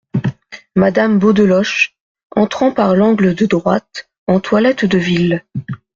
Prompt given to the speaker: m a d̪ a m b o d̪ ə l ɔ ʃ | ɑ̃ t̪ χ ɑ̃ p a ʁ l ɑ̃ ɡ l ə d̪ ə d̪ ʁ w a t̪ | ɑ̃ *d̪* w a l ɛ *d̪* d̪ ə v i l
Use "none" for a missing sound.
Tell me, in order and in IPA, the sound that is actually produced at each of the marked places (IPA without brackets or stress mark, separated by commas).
t̪, t̪